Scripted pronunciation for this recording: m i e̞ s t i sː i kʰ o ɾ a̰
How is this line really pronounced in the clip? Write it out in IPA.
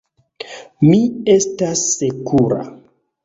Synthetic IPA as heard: m i e̞ s t a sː e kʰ u ɾ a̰